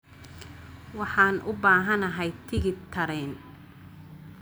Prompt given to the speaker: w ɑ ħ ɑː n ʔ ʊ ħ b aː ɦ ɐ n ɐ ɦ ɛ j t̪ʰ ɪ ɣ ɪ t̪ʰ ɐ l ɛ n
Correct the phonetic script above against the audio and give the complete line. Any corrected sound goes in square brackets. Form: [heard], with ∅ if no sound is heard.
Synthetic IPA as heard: w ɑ ħ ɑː n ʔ ʊ [∅] b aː ɦ ɐ n ɐ ɦ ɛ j t̪ʰ ɪ ɣ ɪ t̪ʰ ɐ [ɾ] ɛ n